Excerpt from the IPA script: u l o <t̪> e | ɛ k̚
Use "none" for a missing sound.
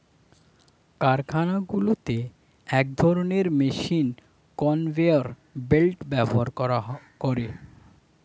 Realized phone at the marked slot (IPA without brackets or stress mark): t̪